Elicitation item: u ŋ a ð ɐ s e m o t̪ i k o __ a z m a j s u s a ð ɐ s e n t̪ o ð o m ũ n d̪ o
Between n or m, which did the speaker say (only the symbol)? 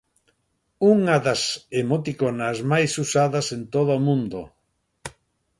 n